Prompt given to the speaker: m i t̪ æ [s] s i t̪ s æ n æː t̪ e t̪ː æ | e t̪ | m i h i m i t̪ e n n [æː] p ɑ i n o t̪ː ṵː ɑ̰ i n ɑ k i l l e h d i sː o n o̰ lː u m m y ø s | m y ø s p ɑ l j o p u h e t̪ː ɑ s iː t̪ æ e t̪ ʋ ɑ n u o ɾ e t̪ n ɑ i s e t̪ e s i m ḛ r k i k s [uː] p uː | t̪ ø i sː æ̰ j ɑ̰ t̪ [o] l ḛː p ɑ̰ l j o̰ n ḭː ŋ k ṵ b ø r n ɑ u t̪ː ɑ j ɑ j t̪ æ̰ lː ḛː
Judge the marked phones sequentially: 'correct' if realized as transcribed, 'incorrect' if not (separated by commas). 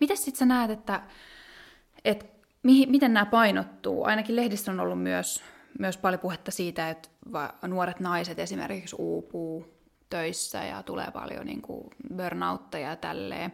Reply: correct, correct, correct, incorrect